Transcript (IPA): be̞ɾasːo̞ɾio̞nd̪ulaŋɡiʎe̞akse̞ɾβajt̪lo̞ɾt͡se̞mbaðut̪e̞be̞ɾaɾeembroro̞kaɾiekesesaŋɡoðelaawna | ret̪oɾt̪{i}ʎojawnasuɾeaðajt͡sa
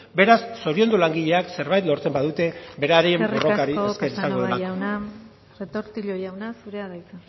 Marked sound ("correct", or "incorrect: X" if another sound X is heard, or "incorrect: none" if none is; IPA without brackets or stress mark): correct